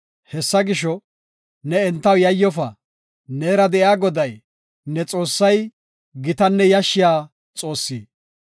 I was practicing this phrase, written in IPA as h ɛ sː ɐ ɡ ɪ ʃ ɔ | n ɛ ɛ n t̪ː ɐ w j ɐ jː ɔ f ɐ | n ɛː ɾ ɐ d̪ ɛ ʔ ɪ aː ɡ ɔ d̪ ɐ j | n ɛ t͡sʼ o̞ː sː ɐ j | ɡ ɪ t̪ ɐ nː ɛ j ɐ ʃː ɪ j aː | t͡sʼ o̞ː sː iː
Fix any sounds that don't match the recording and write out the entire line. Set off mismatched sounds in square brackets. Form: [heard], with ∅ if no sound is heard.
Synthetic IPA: h ɛ sː ɐ ɡ ɪ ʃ ɔ | n ɛ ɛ n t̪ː ɐ w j ɐ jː ɔ f ɐ | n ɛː ɾ ɐ d̪ ɛ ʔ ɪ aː ɡ ɔ d̪ ɐ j | n ɛ t͡sʼ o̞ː sː ɐ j | ɡ ɪ t̪ ɐ nː ɛ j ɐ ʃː ɪ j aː | t͡sʼ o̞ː sː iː